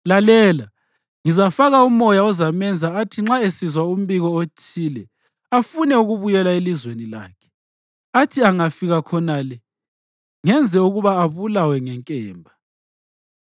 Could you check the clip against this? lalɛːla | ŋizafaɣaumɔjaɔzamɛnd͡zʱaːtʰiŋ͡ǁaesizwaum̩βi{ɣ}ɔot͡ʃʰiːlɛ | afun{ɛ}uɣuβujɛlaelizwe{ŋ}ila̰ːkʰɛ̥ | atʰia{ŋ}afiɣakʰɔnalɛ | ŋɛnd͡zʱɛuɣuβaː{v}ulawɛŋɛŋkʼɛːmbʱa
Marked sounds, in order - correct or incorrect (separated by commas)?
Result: correct, correct, incorrect, correct, incorrect